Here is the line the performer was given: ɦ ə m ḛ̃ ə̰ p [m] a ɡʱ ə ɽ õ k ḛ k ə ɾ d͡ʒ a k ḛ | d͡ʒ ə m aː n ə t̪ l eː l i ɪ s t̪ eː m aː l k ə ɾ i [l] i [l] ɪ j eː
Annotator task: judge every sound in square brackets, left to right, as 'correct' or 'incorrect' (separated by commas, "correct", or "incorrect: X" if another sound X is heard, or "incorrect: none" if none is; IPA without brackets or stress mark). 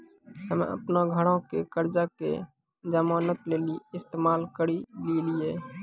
incorrect: n, correct, correct